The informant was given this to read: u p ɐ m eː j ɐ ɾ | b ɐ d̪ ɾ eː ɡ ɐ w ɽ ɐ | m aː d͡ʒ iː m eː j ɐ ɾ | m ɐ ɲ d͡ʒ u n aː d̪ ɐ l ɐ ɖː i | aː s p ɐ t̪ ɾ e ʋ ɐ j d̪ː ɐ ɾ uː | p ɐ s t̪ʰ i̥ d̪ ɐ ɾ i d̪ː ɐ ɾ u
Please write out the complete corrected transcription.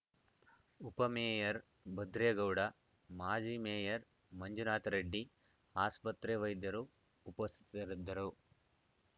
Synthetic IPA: u p ɐ m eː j ɐ ɾ | b ɐ d̪ ɾ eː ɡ ɐ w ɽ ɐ | m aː d͡ʒ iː m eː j ɐ ɾ | m ɐ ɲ d͡ʒ u n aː t̪ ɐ ɾ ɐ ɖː i | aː s p ɐ t̪ ɾ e ʋ ɐ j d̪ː ɐ ɾ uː | p ɐ s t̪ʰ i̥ t̪ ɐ ɾ i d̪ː ɐ ɾ u